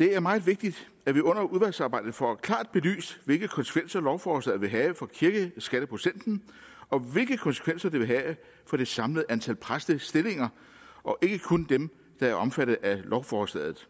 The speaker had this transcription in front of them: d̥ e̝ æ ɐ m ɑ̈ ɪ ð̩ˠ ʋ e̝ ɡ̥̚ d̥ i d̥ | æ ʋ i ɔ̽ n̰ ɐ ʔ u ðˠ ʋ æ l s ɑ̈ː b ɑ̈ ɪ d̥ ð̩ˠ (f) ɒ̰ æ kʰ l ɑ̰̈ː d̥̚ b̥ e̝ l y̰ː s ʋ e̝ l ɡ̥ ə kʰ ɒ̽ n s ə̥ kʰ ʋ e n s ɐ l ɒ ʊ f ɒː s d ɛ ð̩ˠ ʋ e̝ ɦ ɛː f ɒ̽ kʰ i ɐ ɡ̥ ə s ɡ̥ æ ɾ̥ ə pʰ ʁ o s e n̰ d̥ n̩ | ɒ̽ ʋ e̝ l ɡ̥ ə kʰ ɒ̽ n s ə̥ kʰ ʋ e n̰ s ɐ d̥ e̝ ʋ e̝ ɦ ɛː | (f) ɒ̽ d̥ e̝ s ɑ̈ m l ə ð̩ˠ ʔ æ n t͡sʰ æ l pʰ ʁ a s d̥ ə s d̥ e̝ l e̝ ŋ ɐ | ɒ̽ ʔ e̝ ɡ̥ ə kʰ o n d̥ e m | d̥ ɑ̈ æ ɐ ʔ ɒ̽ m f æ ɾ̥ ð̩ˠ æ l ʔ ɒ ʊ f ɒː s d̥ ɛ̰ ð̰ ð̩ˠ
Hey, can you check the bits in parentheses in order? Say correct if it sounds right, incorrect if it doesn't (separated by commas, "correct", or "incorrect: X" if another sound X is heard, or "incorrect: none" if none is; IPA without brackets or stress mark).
correct, correct